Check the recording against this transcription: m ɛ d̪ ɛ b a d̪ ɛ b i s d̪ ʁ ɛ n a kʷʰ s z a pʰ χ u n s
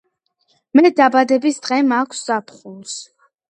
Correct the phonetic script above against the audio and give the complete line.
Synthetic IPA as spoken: m ɛ d̪ a b a d̪ ɛ b i s d̪ ʁ ɛ m a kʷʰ s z a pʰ χ u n s